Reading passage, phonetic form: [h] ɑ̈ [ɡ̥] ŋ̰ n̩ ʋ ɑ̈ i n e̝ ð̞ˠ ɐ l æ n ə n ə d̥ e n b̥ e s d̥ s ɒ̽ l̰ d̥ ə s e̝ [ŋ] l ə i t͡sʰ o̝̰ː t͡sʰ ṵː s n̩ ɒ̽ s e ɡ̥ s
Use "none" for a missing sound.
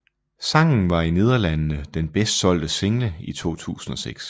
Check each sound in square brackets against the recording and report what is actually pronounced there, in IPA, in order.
s, none, ŋ

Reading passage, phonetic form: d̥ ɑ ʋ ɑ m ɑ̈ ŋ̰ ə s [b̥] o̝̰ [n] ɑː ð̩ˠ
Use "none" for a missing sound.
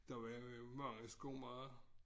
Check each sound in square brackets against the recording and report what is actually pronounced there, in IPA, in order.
ɡ̥, m

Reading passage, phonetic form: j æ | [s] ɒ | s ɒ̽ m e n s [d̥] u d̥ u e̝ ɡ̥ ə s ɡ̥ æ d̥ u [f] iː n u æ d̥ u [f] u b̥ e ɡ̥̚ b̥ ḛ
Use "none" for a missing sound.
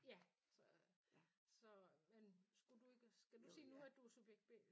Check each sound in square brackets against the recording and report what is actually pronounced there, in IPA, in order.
s, ɡ̥, s, s

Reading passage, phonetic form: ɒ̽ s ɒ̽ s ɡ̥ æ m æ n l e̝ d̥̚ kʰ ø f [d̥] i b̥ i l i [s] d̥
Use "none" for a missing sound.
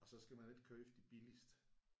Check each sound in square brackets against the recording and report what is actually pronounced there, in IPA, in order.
d̥, s

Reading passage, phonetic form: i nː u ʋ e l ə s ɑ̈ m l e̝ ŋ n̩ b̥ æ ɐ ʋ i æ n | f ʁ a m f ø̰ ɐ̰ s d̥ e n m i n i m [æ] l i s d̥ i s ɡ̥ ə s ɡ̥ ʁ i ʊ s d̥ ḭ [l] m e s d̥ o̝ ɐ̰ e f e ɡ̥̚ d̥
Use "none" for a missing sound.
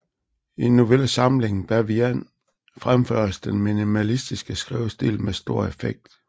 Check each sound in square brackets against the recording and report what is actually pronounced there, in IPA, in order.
æ, l

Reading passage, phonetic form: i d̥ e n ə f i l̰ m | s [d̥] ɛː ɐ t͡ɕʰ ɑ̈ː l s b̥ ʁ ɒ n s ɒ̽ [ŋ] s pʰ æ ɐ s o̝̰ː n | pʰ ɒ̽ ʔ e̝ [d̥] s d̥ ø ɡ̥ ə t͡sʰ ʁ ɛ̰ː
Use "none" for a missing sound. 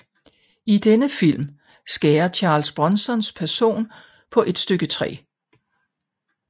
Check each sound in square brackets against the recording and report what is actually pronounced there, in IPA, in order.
ɡ̥, n, d̥

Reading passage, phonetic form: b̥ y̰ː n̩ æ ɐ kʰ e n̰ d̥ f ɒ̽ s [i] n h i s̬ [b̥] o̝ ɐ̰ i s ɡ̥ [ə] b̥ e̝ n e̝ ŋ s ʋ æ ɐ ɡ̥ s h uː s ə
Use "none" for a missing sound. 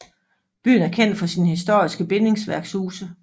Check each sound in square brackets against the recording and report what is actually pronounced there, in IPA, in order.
i, d̥, ə

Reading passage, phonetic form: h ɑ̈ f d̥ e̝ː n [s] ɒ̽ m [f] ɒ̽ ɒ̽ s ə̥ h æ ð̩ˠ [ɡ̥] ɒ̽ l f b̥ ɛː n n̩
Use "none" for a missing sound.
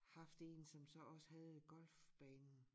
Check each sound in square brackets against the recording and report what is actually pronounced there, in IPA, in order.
s, s, ɡ̥

